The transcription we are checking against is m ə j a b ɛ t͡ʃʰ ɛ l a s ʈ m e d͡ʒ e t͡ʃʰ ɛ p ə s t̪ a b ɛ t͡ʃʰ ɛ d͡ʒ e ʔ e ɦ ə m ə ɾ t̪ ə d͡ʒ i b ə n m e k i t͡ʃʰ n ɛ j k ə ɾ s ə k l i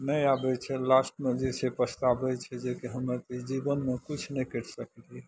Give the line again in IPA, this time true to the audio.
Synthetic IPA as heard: n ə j a b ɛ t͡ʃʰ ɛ l a s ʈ m e d͡ʒ e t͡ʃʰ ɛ p ə s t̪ a b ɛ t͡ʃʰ ɛ d͡ʒ e k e ɦ ə m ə ɾ t̪ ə d͡ʒ i b ə n m e k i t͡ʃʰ n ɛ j k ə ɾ s ə k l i

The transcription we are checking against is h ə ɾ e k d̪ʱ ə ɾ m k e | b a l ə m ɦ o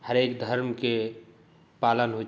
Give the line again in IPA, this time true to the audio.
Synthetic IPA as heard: h ə ɾ e k d̪ʱ ə ɾ m k e | p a l ə n ɦ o

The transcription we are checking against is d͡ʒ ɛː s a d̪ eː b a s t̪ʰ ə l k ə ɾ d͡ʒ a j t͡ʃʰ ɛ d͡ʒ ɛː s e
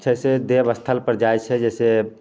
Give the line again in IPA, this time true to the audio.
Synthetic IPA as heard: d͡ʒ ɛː s e d̪ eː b ə s t̪ʰ ə l p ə ɾ d͡ʒ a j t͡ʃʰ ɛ d͡ʒ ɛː s e

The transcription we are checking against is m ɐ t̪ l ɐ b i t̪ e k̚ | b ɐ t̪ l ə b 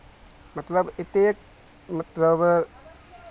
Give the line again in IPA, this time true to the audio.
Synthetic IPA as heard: m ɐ t̪ l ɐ b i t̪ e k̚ | m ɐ t̪ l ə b

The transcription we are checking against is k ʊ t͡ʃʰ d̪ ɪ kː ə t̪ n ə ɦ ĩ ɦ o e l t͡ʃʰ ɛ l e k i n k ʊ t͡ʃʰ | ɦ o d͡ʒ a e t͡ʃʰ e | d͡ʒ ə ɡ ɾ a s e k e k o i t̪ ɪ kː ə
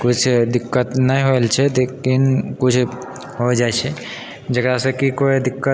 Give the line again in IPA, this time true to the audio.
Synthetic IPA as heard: k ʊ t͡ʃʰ d̪ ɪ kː ə t̪ n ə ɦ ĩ ɦ o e l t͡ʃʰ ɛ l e k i n k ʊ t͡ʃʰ | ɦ o d͡ʒ a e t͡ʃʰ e | d͡ʒ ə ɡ ɾ a s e k i k o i d̪ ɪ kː ə

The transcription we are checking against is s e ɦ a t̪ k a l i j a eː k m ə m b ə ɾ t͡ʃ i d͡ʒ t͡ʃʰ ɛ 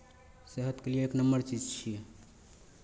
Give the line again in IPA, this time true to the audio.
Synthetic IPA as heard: s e ɦ ə t̪ k e l i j e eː k n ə m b ə ɾ t͡ʃ i d͡ʒ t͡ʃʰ i

